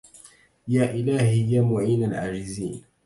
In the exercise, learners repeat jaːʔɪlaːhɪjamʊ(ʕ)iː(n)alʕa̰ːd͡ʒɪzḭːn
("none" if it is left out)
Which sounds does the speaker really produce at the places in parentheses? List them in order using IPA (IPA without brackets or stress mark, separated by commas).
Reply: ʕ, n